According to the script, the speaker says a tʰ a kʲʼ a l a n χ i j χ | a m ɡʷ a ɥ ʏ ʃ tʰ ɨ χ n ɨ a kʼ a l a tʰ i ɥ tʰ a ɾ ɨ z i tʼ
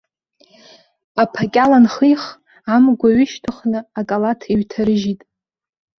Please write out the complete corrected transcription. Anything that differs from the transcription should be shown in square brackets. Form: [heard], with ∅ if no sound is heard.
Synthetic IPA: a [pʰ] a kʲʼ a l a n χ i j χ | a m ɡʷ a ɥ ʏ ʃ tʰ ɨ χ n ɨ a kʼ a l a tʰ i ɥ tʰ a ɾ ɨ [ʒ] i tʼ

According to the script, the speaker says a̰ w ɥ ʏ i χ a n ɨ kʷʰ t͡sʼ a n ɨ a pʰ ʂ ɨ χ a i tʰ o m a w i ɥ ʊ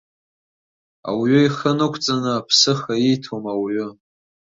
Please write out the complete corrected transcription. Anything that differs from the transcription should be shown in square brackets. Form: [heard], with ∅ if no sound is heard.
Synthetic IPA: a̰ w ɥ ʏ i χ [ə] n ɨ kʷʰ t͡sʼ a n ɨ a pʰ [s] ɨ χ a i tʰ o m a w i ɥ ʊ

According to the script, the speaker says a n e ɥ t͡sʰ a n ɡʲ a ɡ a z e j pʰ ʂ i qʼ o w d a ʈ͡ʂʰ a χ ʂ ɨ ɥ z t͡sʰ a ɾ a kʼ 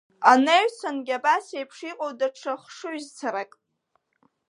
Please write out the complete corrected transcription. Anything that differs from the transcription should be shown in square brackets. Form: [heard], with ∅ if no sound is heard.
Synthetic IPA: a n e ɥ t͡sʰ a n ɡʲ a [b] a [s] e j pʰ ʂ i qʼ o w d a ʈ͡ʂʰ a χ ʂ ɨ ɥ z t͡sʰ a ɾ a kʼ

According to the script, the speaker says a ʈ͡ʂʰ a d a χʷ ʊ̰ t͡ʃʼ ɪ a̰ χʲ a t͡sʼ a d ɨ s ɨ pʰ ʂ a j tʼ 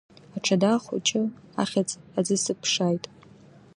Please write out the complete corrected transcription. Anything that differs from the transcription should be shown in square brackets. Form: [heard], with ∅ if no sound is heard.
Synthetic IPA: a ʈ͡ʂʰ a d a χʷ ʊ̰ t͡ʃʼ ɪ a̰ χʲ a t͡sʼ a [d͡z] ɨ s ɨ pʰ ʂ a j tʼ

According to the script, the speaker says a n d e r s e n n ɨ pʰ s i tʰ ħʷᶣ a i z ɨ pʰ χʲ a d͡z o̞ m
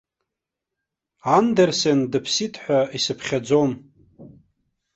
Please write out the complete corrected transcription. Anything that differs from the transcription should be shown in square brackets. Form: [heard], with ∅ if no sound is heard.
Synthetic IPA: a n d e r s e n [d] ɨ pʰ s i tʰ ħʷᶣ a i [s] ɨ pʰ χʲ a d͡z o̞ m

